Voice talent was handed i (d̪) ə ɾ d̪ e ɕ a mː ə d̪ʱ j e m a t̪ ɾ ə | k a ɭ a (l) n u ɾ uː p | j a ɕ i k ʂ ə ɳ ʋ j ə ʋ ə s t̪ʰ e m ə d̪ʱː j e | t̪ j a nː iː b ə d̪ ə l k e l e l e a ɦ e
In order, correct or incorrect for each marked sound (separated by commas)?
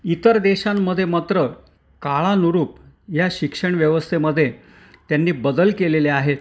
incorrect, incorrect